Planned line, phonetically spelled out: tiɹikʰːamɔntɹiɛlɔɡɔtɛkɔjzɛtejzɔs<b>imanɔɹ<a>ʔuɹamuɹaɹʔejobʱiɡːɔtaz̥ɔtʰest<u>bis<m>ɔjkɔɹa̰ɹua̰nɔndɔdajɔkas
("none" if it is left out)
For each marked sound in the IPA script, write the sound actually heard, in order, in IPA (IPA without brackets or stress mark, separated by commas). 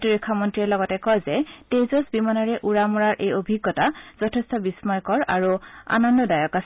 b, ɛ, ɔ, m